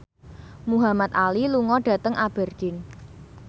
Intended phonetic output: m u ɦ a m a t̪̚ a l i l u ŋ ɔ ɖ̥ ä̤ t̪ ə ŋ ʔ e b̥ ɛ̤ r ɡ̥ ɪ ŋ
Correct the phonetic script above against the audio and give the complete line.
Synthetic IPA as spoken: m u ɦ a m a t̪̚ a l i l u ŋ ɔ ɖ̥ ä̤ t̪ ə ŋ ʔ a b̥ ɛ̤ r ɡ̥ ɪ n